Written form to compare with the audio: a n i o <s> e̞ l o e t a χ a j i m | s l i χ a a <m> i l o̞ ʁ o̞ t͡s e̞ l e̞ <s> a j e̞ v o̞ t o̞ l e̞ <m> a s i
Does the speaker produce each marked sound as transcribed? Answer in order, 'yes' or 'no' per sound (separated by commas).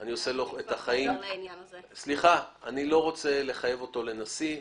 yes, no, no, no